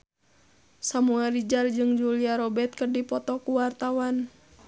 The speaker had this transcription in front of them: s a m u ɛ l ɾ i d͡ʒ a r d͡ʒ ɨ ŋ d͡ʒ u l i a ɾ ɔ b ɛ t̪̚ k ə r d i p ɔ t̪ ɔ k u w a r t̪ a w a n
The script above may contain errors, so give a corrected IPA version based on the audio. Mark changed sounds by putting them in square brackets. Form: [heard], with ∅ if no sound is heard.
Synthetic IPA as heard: s a m u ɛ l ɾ i d͡ʒ a r d͡ʒ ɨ ŋ d͡ʒ u l i a ɾ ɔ b ɛ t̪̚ k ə r d i p ɔ t̪ ɔ k u w a r t̪ a w a n